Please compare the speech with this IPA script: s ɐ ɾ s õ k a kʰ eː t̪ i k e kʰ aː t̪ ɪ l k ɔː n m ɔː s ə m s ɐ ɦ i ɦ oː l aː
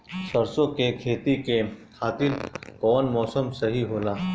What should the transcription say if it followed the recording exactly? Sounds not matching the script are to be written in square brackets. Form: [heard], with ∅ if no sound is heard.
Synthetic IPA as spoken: s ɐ ɾ s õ k [e] kʰ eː t̪ i k e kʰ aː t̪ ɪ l k ɔː n m ɔː s ə m s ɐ ɦ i ɦ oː l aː

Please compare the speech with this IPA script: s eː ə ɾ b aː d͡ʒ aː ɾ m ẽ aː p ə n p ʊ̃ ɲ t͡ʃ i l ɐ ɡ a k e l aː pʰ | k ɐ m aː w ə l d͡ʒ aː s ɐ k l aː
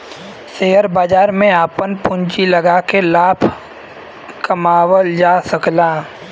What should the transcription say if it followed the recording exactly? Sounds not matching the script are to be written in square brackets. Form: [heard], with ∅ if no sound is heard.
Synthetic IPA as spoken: s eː ə ɾ b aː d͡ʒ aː ɾ m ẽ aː p ə n p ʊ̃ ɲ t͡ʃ i l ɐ ɡ a k e l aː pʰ | k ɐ m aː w ə l d͡ʒ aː s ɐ k l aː

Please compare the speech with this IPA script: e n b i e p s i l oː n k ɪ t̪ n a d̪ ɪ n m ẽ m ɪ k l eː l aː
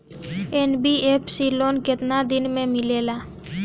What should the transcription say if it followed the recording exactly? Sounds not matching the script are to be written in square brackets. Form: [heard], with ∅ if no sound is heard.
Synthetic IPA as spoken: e n b i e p s i l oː n k ɪ t̪ n a d̪ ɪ n m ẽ m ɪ [∅] l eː l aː

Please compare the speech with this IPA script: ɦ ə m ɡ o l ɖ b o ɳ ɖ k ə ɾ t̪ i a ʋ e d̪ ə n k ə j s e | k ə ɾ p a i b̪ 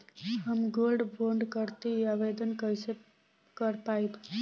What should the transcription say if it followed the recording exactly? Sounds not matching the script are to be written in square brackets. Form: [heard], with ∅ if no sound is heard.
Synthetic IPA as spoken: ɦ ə m ɡ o l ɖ b o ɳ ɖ k ə ɾ t̪ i a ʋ e d̪ ə n k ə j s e | k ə ɾ p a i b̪

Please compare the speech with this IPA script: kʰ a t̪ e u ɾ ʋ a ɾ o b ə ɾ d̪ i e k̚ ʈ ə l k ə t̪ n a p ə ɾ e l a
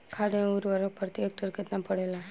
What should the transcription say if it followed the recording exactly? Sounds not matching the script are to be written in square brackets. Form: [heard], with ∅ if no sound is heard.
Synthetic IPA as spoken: kʰ a [d̪] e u ɾ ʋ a ɾ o [p] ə ɾ [t̪] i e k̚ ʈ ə [ɾ] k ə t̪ n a p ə [ɽ] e l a

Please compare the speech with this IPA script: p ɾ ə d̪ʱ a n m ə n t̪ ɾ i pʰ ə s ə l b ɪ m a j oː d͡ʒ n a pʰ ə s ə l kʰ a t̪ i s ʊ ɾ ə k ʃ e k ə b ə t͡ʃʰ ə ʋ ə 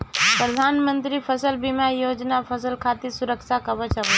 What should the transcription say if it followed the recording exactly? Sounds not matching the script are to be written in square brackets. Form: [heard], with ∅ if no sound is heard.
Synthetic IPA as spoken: p ɾ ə d̪ʱ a n m ə n t̪ ɾ i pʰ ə s ə l b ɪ m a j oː d͡ʒ n a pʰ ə s ə l kʰ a t̪ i s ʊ ɾ ə k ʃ [a] k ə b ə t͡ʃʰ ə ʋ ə

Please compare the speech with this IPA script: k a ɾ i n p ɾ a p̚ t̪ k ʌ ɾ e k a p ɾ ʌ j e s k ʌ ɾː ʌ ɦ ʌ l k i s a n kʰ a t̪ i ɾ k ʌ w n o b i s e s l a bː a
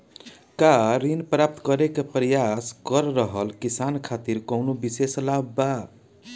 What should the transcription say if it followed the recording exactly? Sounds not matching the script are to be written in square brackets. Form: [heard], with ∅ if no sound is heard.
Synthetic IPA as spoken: k a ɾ i n p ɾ a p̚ t̪ k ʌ ɾ e k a p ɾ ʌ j [a] s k ʌ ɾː ʌ ɦ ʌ l k i s a n kʰ a t̪ i ɾ k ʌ w n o b i s e s l a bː a

